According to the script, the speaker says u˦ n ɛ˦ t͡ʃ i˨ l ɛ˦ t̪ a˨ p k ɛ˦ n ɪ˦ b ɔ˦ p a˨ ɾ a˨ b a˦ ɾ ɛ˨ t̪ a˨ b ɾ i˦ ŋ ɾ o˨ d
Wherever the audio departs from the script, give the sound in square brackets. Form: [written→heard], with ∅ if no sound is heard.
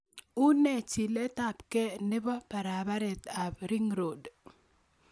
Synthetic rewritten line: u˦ n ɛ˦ t͡ʃ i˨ l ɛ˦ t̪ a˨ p k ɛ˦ n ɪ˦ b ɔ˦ p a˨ ɾ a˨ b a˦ ɾ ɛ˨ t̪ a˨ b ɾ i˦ ŋ ɾ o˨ d